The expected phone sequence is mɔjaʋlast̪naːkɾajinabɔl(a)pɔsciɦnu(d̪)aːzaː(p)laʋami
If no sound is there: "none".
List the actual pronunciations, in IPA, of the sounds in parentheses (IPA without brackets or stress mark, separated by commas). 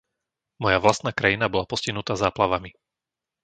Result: a, t̪, p